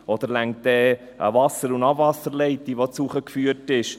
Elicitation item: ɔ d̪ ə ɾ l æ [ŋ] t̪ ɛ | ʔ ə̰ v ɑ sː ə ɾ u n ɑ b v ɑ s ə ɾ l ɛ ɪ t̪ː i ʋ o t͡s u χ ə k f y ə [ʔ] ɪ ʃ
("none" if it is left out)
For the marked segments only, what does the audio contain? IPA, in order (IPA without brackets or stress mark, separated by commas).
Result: ŋ, t